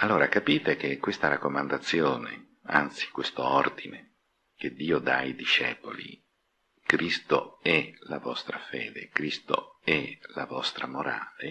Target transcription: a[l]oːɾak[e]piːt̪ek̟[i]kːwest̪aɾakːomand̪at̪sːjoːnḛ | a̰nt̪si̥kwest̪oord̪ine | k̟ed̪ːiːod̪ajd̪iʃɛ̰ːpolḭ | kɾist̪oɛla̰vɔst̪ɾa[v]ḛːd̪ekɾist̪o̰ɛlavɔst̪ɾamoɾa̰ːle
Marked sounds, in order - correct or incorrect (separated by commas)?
incorrect, incorrect, incorrect, incorrect